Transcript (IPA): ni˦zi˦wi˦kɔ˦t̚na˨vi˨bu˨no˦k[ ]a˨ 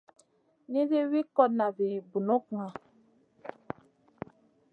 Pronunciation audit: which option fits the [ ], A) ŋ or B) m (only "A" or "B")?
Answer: A